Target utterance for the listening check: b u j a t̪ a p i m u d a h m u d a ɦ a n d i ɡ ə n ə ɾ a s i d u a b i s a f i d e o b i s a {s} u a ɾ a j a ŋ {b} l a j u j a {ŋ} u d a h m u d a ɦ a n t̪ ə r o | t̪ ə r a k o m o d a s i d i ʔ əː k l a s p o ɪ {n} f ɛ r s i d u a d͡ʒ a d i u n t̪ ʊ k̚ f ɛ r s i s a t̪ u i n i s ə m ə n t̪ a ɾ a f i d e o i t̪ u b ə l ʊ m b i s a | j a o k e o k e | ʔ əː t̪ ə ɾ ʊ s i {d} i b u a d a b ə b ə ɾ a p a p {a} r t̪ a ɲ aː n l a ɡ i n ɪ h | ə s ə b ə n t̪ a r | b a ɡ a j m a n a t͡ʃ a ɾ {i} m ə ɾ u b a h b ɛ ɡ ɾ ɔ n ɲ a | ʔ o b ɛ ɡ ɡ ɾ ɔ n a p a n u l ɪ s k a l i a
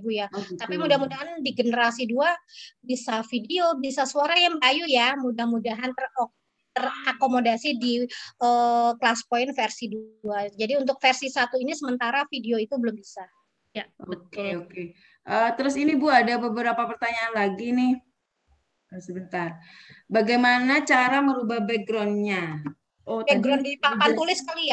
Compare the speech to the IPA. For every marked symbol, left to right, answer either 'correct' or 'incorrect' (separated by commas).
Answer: correct, correct, incorrect, correct, incorrect, incorrect, incorrect